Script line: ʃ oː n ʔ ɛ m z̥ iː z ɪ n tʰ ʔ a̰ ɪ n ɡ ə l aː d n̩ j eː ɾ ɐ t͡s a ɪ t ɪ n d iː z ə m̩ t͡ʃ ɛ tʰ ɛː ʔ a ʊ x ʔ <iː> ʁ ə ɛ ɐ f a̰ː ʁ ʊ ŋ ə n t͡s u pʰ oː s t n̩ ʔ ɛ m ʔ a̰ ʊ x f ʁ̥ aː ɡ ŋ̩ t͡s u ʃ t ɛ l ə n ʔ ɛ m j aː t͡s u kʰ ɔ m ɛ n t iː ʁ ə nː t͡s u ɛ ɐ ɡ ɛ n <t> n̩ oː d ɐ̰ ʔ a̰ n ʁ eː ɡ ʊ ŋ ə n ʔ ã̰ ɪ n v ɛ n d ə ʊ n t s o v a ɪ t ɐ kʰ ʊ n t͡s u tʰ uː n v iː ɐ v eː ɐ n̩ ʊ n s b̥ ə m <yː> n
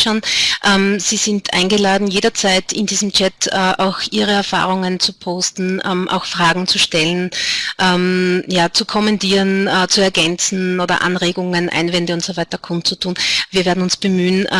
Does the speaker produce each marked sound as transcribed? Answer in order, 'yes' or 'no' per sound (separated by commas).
yes, no, yes